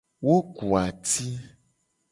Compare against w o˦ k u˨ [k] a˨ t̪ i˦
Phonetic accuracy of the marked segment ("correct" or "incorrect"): incorrect